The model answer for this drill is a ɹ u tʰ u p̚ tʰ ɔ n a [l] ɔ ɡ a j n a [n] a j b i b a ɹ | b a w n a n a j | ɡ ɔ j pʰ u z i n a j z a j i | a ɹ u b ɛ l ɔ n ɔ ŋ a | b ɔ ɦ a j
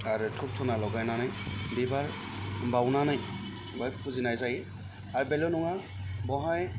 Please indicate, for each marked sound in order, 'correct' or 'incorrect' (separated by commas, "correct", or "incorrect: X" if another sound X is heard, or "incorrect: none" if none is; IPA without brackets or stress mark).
correct, correct